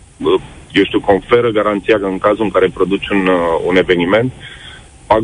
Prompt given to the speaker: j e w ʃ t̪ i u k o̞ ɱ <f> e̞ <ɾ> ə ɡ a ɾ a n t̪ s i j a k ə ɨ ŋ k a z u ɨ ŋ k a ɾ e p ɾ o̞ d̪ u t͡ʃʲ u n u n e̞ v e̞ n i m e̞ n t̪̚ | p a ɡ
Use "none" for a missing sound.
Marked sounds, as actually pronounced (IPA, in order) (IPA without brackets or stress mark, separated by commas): f, ɾ